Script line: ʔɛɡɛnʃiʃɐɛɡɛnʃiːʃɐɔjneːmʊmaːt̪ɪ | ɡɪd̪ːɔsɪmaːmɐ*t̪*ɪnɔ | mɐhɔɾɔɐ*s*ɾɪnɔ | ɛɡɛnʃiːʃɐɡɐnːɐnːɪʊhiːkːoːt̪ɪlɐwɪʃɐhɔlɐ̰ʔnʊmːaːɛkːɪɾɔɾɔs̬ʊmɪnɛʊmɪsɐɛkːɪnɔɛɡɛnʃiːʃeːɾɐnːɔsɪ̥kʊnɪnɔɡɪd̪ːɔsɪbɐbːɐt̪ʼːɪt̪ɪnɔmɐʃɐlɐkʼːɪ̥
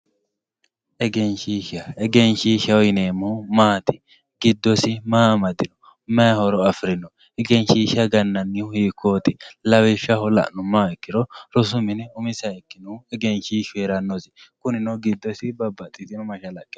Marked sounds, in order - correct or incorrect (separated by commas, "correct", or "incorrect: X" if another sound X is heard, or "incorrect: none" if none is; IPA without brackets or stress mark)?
incorrect: d̪, incorrect: f